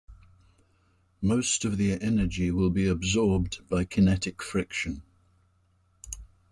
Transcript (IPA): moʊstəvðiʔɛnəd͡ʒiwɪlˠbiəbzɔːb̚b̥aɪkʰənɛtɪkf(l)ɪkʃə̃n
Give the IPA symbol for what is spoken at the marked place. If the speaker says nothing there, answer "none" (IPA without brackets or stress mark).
ɹ